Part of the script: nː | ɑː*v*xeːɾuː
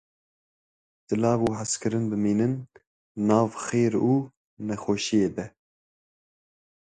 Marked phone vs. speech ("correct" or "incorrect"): correct